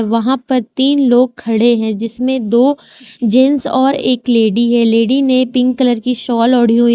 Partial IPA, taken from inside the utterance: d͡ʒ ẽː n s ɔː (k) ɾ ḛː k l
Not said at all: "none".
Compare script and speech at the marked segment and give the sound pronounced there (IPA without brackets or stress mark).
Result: none